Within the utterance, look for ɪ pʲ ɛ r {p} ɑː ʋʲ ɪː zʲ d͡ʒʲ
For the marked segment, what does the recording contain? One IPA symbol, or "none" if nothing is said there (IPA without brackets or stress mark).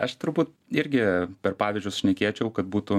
p